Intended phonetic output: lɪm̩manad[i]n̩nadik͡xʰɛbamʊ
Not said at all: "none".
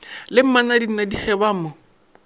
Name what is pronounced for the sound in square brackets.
i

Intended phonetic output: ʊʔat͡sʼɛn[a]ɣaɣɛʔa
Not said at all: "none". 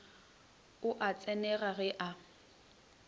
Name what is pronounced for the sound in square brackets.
ɛ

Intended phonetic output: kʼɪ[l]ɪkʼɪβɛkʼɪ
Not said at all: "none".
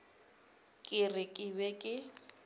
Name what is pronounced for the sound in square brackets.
r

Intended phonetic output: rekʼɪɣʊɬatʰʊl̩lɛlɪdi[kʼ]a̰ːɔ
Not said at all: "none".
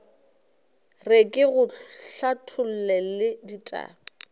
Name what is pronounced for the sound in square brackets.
tʼ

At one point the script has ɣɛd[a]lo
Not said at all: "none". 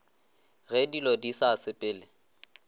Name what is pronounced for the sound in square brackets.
i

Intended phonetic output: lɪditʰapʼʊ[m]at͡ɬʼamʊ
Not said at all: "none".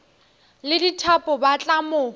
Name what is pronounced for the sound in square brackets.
b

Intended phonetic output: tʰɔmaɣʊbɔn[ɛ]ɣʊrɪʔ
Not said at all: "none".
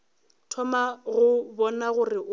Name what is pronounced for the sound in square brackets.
a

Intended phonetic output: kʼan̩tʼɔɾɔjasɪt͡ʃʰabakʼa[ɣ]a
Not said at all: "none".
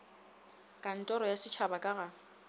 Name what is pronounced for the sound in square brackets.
ɣ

